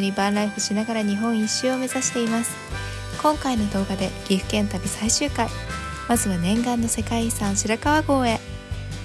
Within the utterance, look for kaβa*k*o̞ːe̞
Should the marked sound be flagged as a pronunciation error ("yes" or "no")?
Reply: yes